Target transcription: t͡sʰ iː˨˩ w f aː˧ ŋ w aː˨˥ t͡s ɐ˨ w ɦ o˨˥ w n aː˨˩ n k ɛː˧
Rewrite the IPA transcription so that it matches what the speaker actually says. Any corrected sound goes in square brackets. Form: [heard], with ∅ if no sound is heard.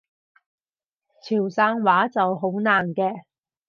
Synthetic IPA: t͡sʰ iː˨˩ w [s] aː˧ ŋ w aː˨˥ t͡s ɐ˨ w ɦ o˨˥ w n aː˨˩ n k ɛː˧